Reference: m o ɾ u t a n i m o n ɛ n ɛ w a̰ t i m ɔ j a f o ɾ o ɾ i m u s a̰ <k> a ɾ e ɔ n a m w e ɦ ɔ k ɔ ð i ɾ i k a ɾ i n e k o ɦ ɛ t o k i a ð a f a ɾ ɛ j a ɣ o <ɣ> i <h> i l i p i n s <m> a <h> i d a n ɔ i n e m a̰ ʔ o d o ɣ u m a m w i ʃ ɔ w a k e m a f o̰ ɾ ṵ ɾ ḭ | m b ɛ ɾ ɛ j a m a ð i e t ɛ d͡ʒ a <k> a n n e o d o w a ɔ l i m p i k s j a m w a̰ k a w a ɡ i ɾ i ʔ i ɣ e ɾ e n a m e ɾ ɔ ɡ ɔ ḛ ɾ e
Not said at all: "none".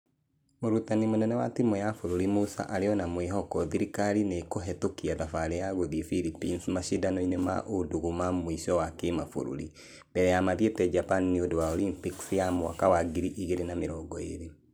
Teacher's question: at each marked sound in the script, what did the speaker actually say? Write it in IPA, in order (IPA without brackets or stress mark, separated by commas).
ʔ, ð, f, m, ʃ, p